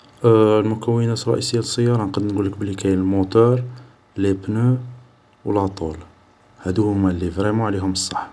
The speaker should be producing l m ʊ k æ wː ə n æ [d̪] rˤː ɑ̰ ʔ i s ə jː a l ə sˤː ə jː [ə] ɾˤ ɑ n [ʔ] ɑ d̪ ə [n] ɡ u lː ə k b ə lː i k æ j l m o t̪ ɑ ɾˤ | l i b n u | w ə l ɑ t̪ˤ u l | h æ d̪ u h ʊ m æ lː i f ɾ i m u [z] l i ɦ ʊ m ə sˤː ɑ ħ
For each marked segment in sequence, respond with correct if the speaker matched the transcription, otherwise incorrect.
incorrect: t̪, incorrect: ɑ, incorrect: q, correct, incorrect: ʕ

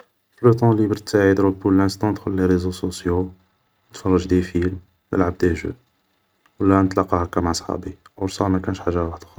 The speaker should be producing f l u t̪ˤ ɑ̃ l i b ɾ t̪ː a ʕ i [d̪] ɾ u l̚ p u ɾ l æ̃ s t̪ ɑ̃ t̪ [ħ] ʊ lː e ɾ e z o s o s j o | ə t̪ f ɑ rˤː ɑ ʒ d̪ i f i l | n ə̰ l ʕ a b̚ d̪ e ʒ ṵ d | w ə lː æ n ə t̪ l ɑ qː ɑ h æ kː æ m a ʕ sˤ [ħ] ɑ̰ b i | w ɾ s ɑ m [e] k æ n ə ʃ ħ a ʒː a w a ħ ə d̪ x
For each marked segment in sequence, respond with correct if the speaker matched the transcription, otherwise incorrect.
correct, incorrect: x, correct, incorrect: æ

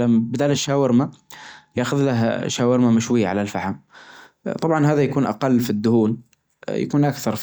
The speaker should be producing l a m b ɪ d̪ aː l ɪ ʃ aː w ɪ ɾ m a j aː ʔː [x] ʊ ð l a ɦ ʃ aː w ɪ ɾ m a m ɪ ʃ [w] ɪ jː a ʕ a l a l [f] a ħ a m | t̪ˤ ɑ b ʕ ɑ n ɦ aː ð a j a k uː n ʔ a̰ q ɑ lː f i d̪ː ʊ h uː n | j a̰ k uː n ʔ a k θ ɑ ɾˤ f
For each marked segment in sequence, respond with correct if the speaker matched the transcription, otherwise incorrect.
correct, correct, correct

